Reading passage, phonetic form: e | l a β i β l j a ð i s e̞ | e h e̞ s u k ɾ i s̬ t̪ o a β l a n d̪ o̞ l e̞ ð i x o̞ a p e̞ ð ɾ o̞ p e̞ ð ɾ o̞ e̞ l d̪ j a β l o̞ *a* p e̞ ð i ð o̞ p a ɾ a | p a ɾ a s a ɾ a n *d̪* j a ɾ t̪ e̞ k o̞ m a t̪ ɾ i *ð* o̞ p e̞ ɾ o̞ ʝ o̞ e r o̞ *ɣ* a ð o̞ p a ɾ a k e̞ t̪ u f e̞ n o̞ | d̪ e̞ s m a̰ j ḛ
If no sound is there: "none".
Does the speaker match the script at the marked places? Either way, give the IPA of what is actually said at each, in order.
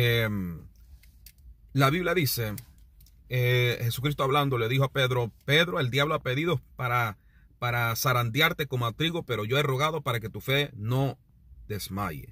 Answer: a, d̪, ɣ, ɣ

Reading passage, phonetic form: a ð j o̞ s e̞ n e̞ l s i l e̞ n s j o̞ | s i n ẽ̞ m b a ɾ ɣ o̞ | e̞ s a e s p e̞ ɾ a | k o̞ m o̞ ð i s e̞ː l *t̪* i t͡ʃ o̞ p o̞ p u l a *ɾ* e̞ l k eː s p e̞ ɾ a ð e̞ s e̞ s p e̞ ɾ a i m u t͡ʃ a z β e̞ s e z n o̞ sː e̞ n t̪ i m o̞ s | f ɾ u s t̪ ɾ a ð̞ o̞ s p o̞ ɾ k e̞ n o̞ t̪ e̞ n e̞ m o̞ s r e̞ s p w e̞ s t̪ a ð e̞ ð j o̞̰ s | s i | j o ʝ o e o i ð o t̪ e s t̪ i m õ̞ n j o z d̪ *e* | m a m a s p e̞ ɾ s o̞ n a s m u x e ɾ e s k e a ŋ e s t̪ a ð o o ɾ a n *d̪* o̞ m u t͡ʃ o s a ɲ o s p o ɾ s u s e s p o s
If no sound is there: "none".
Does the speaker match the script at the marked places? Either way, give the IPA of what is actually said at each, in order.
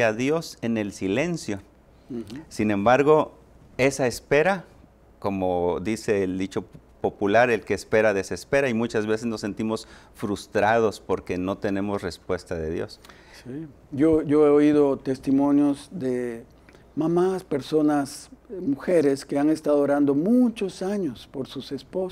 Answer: d̪, ɾ, e, d̪

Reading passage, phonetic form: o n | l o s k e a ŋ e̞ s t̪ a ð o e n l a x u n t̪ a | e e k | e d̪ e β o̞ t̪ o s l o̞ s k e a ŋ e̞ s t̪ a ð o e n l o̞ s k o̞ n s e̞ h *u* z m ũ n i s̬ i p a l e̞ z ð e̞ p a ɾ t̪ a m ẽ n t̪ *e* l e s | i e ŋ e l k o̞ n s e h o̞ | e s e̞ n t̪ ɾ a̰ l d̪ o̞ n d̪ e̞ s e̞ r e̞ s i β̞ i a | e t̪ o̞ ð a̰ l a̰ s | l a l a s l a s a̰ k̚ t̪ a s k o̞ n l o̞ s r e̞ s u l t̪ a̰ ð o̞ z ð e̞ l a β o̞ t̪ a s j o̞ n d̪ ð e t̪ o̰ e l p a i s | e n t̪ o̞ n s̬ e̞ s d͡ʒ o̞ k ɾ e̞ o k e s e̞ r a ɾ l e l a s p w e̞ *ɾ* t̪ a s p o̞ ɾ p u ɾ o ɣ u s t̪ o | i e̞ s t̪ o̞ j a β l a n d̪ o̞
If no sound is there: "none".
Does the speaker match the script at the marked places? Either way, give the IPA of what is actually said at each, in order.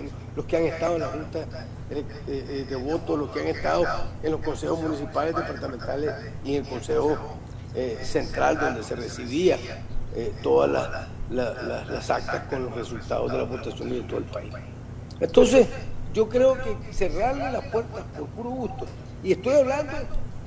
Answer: o, a, ɾ

